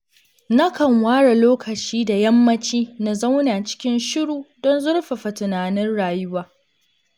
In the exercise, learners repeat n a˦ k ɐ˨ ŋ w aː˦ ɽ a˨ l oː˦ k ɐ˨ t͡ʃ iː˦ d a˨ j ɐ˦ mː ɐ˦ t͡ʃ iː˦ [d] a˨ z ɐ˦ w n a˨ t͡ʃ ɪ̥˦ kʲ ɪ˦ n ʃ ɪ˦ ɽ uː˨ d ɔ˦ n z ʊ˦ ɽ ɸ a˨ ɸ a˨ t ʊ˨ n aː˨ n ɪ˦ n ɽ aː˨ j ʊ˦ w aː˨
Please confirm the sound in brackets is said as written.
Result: no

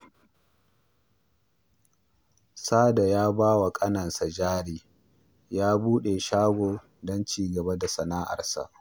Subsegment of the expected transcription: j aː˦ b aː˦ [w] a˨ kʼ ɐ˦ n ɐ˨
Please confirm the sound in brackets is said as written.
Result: yes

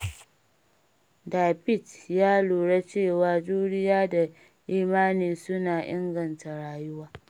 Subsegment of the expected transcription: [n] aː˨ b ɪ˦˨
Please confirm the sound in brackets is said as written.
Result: no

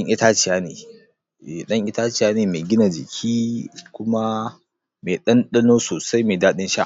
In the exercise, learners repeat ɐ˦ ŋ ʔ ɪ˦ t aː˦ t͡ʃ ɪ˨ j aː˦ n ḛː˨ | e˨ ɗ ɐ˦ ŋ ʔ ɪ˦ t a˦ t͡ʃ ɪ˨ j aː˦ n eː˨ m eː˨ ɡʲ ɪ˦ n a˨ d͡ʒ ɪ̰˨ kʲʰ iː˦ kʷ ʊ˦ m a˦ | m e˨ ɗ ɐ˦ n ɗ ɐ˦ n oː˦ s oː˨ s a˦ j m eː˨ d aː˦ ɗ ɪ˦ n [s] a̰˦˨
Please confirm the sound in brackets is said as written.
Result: no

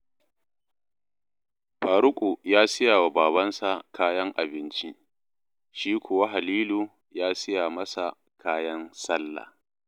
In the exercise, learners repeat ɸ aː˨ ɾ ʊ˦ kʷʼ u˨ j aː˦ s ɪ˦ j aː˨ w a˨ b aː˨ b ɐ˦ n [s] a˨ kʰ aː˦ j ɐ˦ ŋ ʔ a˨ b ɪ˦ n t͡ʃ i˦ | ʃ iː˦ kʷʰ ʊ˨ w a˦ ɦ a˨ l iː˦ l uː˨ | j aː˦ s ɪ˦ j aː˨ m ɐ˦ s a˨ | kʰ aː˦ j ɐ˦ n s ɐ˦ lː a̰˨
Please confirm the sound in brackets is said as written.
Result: yes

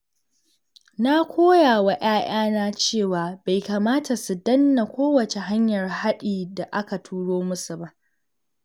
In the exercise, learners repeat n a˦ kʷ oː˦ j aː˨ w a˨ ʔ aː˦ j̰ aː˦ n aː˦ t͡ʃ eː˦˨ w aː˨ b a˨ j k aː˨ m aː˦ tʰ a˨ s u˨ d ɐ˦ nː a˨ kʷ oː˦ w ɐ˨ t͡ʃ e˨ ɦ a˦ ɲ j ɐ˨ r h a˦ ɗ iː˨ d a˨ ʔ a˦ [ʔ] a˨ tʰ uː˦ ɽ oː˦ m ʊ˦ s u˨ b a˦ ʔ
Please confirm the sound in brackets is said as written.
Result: no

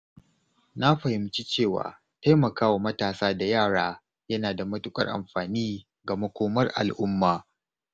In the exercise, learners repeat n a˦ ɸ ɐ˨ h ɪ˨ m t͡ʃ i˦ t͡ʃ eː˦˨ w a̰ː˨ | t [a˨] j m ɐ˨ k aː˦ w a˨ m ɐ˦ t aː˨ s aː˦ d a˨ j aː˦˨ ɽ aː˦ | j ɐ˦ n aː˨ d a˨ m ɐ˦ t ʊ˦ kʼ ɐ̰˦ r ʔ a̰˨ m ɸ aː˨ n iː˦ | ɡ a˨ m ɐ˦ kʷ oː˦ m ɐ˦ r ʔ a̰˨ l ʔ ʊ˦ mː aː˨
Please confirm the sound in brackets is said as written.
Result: no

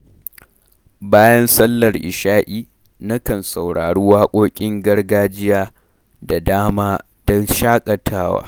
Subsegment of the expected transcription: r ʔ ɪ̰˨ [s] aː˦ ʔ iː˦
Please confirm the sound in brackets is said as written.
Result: no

